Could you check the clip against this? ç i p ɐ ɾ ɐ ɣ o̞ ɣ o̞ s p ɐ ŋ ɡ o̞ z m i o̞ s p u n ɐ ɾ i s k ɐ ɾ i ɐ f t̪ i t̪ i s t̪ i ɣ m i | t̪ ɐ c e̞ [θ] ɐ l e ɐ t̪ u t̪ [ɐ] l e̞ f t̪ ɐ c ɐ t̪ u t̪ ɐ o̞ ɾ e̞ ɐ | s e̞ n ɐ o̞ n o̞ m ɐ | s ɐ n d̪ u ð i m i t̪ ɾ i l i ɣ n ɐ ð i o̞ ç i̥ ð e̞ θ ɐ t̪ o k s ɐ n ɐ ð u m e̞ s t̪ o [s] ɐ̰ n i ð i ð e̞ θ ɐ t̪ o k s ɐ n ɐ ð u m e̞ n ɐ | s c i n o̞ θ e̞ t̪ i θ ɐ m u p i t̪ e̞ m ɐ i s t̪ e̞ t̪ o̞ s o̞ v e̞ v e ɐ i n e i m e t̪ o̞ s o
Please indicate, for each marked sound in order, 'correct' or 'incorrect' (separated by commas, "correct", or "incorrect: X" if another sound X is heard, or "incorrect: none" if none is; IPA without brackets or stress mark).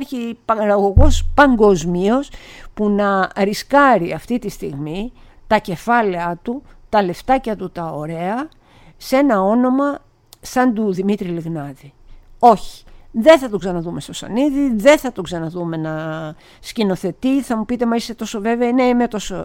incorrect: f, correct, correct